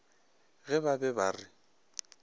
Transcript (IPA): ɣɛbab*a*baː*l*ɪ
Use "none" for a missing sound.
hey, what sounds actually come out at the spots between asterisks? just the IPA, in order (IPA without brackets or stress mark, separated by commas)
ɛ, r